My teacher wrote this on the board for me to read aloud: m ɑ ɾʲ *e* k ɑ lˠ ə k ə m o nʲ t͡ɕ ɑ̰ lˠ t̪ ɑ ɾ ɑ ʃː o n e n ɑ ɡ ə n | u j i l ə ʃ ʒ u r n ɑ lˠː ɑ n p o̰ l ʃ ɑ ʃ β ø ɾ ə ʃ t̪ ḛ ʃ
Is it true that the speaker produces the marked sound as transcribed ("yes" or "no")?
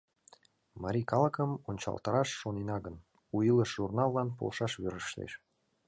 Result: no